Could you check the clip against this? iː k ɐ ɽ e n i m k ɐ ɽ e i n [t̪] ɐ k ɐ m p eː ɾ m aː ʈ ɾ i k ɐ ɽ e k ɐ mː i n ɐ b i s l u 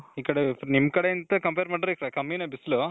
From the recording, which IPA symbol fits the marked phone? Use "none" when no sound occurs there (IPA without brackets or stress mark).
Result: t̪